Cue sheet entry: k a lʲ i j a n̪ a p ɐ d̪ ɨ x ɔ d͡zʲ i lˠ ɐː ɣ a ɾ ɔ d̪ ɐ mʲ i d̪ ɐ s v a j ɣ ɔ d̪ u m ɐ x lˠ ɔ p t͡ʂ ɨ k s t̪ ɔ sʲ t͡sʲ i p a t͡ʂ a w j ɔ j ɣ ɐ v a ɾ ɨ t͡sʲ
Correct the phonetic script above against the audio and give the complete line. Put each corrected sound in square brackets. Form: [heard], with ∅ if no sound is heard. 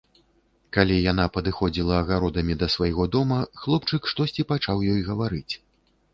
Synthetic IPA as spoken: k a lʲ i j a n̪ a p ɐ d̪ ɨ x ɔ d͡zʲ i lˠ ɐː ɣ a ɾ ɔ d̪ ɐ mʲ i d̪ ɐ s v a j ɣ ɔ d̪ [ɔ] m ɐ x lˠ ɔ p t͡ʂ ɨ k [ʂ] t̪ ɔ sʲ t͡sʲ i p a t͡ʂ a w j ɔ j ɣ ɐ v a ɾ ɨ t͡sʲ